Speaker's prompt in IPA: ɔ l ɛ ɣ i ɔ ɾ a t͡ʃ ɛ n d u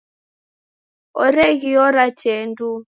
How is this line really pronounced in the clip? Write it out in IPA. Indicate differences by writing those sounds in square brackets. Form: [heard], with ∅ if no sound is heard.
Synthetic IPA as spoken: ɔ [ɾ] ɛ ɣ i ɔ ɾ a t͡ʃ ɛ n d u